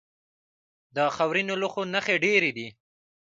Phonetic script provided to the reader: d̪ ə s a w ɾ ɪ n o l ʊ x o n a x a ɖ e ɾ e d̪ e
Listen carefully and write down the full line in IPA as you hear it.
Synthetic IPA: d̪ ə x a w ɾ i n o l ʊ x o n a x e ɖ e ɾ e d̪ i